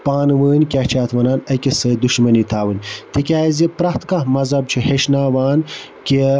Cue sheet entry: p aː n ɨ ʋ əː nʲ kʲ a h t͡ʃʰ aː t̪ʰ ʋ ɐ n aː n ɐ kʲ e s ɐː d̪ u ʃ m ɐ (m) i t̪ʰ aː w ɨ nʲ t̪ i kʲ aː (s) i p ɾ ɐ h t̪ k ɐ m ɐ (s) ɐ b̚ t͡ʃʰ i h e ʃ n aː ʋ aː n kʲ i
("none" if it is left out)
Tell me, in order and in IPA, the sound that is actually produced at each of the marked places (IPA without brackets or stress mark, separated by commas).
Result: n, z, z